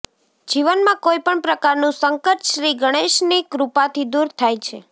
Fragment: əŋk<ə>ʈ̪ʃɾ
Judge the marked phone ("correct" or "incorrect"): correct